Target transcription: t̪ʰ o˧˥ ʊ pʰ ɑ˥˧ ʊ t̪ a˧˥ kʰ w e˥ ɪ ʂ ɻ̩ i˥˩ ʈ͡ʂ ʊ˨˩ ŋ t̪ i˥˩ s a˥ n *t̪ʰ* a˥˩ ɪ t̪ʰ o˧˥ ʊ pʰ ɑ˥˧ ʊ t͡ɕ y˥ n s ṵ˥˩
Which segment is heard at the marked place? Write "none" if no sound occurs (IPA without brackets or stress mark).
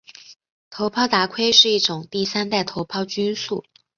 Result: t̪